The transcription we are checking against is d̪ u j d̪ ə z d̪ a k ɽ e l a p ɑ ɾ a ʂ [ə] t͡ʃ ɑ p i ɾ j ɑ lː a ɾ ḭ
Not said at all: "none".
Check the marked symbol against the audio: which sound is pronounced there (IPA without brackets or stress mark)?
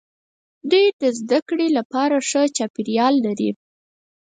ə